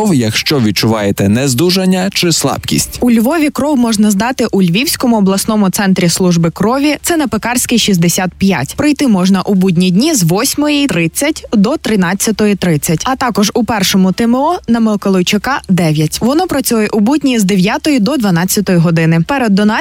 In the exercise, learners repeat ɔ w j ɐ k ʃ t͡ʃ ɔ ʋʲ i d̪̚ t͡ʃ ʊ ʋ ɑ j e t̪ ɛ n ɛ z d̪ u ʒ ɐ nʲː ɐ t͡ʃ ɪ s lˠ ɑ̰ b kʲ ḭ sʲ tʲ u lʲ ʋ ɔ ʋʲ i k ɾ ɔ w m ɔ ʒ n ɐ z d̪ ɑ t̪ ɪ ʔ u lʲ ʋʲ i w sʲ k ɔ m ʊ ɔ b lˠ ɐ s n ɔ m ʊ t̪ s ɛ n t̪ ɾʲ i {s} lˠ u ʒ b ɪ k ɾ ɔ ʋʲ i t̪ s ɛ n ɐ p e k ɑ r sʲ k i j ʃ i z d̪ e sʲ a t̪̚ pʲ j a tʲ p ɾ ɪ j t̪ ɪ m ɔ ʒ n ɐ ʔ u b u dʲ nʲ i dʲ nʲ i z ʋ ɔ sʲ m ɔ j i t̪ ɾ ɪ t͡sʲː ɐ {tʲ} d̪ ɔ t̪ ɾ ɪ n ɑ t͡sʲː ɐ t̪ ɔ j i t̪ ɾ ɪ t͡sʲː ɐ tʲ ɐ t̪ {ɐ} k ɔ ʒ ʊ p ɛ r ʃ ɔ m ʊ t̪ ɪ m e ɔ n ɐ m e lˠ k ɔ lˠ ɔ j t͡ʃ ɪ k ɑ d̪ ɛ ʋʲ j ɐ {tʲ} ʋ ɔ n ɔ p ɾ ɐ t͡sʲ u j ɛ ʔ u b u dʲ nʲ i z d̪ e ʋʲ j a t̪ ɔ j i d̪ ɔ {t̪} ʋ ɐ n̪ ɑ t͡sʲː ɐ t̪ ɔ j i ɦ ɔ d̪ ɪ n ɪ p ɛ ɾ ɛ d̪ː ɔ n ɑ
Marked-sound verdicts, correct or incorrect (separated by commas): correct, correct, incorrect, correct, incorrect